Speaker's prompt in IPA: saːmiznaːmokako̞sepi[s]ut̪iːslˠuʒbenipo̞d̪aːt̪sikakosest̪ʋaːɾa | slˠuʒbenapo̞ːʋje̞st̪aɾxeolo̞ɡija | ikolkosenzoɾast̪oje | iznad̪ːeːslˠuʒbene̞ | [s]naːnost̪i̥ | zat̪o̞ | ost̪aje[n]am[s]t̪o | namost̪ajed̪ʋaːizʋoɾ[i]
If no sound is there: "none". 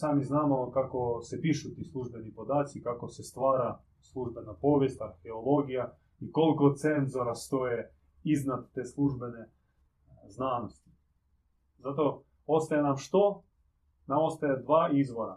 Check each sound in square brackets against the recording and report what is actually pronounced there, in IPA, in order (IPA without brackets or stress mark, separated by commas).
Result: ʃ, z, n, ʃ, a